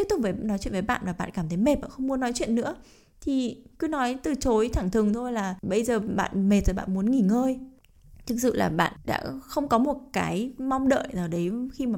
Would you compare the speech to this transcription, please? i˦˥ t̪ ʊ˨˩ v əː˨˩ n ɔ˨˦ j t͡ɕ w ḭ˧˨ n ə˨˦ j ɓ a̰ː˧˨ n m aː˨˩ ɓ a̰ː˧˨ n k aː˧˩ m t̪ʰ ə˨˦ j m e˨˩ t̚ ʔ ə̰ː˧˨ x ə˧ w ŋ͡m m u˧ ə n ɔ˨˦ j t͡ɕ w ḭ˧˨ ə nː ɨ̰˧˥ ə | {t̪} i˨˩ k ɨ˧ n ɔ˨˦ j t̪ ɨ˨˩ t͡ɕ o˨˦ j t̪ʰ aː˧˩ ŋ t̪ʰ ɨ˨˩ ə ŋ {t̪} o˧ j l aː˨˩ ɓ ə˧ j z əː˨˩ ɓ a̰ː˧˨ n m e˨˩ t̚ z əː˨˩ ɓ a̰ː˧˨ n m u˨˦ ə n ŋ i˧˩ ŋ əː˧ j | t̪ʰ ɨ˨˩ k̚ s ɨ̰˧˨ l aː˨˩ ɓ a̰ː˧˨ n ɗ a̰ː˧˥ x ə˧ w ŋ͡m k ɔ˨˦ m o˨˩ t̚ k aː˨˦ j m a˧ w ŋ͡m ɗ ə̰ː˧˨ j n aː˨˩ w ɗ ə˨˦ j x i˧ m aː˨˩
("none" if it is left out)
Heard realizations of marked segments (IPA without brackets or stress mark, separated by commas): t̪ʰ, t̪ʰ